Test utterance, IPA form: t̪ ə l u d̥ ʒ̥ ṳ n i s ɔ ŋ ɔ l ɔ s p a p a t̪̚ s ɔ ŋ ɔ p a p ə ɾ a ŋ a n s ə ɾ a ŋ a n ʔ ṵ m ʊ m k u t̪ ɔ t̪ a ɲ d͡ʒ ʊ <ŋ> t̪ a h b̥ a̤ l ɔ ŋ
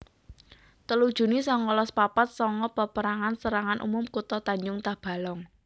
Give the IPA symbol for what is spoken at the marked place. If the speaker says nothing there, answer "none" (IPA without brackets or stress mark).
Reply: ŋ